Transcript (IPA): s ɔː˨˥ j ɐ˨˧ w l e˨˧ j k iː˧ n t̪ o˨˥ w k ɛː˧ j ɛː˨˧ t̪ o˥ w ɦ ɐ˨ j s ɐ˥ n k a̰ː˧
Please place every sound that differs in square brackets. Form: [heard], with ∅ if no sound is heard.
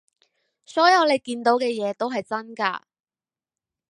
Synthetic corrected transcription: s ɔː˨˥ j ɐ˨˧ w l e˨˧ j k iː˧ n t̪ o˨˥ w k ɛː˧ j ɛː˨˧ t̪ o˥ w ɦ ɐ˨ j [t͡s] ɐ˥ n k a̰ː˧